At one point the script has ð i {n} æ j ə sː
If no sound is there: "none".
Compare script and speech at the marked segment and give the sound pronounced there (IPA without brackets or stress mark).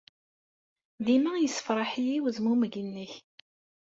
m